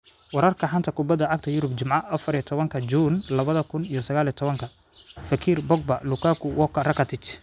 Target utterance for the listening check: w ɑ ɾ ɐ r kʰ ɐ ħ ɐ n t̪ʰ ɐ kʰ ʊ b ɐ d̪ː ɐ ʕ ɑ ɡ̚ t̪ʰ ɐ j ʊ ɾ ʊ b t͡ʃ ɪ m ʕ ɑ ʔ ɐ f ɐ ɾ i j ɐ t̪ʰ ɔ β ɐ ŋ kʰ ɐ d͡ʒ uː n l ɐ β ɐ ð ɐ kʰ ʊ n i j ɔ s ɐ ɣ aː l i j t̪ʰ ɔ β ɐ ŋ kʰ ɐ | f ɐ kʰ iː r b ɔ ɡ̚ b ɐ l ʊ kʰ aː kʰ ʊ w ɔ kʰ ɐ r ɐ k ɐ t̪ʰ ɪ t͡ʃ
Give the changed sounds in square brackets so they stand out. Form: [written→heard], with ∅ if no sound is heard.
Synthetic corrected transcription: w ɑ ɾ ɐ r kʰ ɐ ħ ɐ n t̪ʰ ɐ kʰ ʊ b ɐ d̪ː ɐ ʕ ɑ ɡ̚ t̪ʰ ɐ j ʊ ɾ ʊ b t͡ʃ ɪ m ʕ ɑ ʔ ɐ f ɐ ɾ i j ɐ t̪ʰ ɔ β ɐ ŋ kʰ ɐ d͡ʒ uː n l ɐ β ɐ ð ɐ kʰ ʊ n i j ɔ s ɐ ɣ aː l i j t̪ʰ ɔ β ɐ ŋ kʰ ɐ | f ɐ kʰ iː r b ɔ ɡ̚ b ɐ l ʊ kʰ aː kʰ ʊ w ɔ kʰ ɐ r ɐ k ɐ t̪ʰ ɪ t͡ʃ